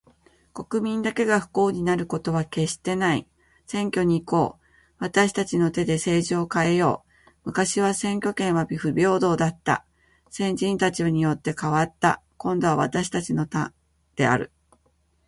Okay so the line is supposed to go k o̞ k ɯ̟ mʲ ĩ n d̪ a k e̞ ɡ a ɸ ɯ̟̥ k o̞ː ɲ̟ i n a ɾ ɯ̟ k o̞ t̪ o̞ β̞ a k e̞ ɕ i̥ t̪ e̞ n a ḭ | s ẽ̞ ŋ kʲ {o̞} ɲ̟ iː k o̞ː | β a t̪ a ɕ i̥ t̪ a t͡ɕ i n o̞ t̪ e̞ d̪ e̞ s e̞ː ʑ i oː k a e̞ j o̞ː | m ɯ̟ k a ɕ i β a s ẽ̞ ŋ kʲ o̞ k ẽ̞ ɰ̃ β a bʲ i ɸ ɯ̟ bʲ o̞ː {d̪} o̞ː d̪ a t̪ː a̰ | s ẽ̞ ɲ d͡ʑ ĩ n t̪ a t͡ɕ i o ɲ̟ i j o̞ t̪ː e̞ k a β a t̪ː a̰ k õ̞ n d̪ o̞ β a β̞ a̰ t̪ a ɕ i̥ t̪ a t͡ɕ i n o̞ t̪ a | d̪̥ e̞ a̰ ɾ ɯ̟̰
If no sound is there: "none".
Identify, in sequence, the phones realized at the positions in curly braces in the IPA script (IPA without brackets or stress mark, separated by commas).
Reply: o̞, d̪